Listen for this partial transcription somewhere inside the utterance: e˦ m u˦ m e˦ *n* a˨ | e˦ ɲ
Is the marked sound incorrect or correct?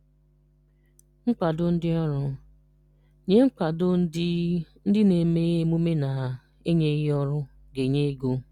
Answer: correct